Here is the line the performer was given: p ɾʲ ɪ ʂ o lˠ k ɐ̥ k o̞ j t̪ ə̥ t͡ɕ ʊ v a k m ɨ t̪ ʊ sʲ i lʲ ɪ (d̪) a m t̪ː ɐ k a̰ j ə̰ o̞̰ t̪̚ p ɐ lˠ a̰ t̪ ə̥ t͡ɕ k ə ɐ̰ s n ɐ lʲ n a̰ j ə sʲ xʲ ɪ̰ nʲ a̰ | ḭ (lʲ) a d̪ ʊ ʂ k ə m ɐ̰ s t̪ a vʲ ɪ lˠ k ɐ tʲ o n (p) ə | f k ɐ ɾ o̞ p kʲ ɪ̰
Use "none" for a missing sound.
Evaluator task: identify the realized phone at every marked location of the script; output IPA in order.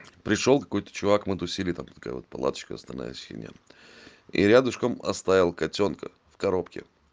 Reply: t̪, ɾʲ, k

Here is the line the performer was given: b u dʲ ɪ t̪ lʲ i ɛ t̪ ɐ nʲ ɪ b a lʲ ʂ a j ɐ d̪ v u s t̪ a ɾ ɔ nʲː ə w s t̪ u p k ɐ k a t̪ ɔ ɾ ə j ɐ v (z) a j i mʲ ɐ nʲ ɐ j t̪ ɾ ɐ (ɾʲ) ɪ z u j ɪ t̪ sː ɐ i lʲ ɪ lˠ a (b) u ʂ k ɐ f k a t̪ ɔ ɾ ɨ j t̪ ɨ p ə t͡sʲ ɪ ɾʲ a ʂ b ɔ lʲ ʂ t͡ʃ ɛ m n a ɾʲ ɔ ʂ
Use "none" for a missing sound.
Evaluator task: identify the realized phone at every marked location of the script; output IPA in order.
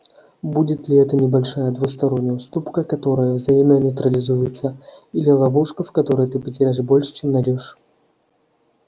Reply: z, lʲ, v

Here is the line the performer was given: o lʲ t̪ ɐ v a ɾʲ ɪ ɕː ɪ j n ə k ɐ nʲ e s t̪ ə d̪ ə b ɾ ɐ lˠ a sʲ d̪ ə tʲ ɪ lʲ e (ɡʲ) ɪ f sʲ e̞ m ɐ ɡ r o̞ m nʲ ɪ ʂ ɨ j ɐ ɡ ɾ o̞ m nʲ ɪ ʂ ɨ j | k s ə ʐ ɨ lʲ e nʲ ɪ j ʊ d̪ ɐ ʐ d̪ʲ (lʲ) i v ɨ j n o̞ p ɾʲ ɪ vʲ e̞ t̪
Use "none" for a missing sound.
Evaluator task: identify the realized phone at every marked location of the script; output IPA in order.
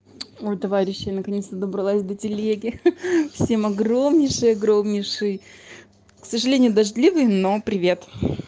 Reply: ɡʲ, lʲ

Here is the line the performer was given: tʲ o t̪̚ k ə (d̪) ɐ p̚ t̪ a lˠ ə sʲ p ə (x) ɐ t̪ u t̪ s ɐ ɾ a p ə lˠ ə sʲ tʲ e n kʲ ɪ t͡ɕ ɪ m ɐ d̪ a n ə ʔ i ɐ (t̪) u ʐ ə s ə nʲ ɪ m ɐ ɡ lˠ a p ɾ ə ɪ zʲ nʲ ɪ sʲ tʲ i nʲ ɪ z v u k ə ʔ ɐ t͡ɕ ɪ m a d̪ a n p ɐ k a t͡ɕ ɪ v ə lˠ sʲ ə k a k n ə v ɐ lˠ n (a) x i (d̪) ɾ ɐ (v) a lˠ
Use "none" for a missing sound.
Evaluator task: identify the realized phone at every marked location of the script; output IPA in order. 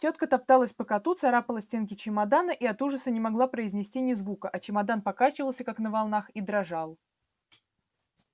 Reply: t̪, k, t̪, a, d̪, ʐ

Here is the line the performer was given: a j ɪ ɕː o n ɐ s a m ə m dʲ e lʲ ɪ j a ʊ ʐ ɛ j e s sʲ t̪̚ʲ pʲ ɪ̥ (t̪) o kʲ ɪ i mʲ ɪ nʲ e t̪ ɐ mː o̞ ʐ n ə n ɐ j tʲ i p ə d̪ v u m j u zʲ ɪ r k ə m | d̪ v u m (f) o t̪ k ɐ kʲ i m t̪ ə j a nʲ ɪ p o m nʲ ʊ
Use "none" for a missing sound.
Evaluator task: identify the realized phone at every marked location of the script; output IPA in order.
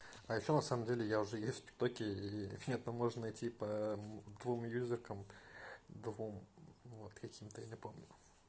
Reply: t̪, v

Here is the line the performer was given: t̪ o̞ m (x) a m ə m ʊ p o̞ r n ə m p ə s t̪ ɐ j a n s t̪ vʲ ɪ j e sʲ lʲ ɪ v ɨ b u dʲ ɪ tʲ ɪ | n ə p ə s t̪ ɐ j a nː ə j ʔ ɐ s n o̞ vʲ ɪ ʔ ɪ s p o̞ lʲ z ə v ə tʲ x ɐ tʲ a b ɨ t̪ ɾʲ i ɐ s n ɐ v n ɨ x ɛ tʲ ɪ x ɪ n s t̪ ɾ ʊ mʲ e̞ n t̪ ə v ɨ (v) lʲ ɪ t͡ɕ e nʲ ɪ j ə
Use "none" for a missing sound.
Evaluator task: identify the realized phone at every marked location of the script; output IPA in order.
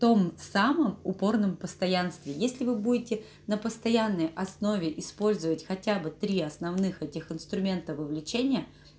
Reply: s, v

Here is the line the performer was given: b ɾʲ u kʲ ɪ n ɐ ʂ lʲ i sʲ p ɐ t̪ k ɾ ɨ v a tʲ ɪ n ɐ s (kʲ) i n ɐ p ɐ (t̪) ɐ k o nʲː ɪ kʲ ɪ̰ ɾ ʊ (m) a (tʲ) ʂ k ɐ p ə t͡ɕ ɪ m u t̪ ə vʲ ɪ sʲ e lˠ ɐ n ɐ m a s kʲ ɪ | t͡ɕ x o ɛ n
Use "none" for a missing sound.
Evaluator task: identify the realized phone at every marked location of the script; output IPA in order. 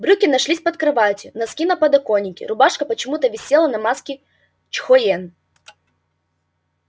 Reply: kʲ, d̪, b, none

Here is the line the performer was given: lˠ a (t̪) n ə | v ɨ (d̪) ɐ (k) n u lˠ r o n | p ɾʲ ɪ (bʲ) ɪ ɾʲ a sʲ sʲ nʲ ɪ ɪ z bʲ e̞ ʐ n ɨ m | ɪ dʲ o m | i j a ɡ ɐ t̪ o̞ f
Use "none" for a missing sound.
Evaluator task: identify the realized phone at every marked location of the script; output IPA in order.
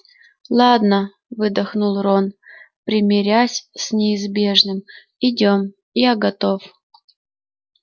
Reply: d̪, d̪, x, mʲ

